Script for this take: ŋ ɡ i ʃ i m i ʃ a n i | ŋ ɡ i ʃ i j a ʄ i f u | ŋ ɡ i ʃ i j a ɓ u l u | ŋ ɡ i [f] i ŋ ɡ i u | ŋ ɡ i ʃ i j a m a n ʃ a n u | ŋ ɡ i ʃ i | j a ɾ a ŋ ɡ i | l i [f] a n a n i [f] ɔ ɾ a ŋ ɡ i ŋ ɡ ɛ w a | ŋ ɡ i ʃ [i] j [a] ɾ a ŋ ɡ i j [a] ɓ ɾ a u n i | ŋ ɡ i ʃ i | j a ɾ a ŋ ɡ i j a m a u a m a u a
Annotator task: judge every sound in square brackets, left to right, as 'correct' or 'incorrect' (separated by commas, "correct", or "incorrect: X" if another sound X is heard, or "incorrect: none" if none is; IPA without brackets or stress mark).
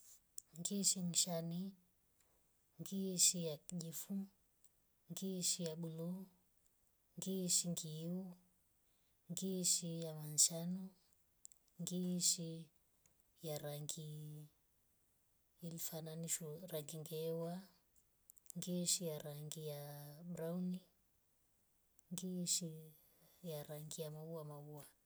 incorrect: ʃ, correct, incorrect: ʃ, correct, correct, correct